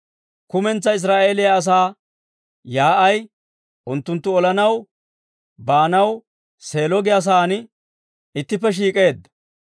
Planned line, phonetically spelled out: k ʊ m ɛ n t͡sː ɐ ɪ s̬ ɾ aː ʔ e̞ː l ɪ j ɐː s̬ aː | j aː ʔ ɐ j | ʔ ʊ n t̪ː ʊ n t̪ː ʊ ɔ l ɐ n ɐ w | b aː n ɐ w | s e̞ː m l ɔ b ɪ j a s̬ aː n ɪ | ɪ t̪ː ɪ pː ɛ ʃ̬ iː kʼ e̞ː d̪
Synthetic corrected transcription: k ʊ m ɛ n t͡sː ɐ ɪ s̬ ɾ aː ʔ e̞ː l ɪ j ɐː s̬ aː | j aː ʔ ɐ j | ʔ ʊ n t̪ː ʊ n t̪ː ʊ ɔ l ɐ n ɐ w | b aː n ɐ w | s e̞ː l ɔ ɡ ɪ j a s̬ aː n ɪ | ɪ t̪ː ɪ pː ɛ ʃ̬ iː kʼ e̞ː d̪